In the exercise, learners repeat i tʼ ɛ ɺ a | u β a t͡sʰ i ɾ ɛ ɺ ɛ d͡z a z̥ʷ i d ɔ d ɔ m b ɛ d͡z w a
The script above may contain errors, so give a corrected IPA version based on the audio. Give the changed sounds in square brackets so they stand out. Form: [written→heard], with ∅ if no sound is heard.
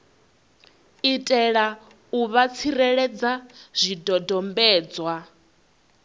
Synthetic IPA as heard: i tʼ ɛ ɺ a | u β a t͡sʰ i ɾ ɛ ɺ ɛ d͡z a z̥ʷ i d ɔ d ɔ m b [ɛ→ɛː] d͡z w a